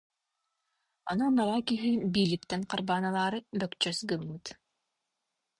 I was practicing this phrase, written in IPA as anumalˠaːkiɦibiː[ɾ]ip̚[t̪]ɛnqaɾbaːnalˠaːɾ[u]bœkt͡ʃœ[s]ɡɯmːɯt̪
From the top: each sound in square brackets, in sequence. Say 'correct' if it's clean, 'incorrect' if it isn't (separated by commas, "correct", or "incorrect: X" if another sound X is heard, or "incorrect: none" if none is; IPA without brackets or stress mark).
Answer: incorrect: l, correct, incorrect: ɯ, correct